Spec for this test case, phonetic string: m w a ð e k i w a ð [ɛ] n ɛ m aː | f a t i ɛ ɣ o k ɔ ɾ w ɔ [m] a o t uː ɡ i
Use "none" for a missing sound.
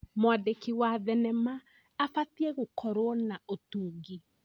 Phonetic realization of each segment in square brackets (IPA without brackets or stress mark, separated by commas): ɛ, n